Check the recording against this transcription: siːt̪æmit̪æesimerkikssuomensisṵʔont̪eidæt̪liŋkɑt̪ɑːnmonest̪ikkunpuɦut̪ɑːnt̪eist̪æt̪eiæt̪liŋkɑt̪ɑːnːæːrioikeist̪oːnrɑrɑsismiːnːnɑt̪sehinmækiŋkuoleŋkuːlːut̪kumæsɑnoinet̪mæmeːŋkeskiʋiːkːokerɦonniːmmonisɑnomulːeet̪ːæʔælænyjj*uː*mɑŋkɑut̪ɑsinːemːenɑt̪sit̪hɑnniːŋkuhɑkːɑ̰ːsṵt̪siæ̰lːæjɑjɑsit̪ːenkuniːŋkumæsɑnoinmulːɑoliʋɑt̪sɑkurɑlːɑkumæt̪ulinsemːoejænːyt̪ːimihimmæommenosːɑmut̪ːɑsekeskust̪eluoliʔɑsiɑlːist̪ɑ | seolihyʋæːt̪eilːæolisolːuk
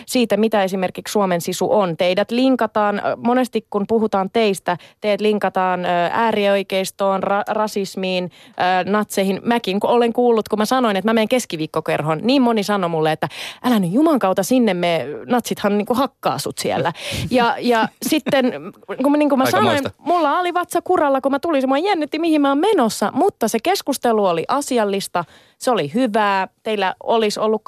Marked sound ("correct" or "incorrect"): incorrect